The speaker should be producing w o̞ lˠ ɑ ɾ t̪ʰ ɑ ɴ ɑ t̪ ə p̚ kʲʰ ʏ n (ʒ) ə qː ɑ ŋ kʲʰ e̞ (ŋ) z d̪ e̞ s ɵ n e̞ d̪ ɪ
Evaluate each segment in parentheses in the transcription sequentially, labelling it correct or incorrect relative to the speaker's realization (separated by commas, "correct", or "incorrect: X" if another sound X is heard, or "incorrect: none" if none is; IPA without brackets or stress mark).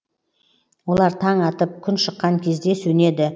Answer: incorrect: ʃ, incorrect: none